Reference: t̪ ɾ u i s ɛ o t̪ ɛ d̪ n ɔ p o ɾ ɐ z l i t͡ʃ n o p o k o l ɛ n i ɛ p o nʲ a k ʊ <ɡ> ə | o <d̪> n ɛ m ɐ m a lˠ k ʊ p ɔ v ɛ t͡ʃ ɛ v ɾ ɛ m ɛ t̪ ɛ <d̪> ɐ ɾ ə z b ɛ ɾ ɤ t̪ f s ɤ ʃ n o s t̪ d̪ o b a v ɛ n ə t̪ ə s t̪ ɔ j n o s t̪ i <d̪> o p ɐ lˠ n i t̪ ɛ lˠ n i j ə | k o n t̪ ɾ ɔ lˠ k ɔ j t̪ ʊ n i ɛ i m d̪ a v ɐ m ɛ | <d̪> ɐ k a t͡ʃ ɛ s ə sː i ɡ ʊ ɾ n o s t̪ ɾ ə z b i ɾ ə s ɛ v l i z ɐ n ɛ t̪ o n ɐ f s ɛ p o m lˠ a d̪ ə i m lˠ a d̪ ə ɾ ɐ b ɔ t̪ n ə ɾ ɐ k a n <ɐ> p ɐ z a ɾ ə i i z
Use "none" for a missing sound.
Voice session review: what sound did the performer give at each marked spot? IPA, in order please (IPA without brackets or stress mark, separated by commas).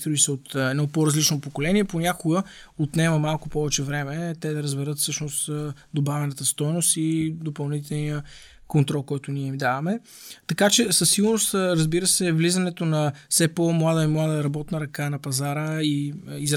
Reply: ɡ, t̪, d̪, d̪, t̪, ɐ